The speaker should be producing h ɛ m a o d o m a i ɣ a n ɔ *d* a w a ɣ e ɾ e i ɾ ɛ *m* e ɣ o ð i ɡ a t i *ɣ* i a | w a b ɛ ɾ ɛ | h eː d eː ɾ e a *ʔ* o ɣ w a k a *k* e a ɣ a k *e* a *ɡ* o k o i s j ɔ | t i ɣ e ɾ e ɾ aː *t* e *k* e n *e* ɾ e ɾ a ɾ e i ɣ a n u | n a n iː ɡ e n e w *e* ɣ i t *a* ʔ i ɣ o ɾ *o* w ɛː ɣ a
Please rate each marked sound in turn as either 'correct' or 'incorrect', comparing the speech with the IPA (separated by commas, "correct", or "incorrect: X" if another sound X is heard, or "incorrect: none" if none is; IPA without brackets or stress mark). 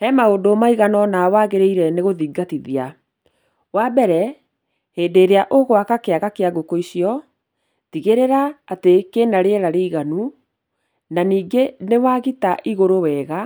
incorrect: n, incorrect: n, incorrect: ð, correct, correct, correct, correct, correct, correct, incorrect: a, incorrect: a, correct, correct